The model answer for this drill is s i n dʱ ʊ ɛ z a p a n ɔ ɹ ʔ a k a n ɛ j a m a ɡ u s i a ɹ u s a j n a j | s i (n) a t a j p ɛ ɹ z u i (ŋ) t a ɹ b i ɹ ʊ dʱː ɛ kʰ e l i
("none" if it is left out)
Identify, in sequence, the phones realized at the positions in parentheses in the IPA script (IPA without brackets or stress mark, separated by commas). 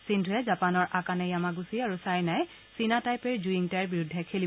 n, ŋ